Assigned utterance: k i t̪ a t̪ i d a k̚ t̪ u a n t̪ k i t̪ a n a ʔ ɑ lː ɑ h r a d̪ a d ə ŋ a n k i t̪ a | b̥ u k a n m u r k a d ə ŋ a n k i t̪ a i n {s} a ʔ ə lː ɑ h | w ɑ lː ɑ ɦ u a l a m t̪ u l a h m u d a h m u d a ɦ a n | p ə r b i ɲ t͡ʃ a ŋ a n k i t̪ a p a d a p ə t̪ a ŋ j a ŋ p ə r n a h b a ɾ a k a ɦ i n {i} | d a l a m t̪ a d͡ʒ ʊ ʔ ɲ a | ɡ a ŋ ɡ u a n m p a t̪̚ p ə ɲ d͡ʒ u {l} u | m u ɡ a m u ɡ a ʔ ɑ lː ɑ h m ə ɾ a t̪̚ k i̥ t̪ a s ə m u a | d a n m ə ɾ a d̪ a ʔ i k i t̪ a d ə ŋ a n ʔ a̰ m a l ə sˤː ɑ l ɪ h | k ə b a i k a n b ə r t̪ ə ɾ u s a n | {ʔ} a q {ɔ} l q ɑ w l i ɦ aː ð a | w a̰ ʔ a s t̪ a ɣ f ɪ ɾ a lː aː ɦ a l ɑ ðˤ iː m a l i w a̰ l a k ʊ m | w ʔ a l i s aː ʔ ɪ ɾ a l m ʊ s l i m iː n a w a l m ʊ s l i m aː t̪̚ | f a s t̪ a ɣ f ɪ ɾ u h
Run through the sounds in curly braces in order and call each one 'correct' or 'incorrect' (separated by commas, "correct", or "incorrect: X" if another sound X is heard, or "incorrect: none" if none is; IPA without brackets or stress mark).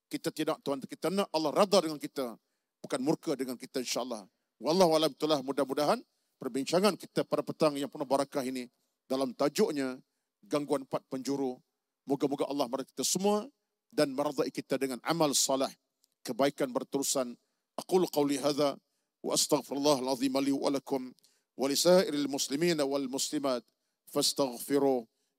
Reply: incorrect: ʃ, correct, incorrect: ɾ, correct, incorrect: u